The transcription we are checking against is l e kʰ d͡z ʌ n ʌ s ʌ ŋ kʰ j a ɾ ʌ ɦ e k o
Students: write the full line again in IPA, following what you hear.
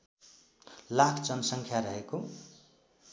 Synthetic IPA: l a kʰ d͡z ʌ n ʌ s ʌ ŋ kʰ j a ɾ ʌ ɦ e k o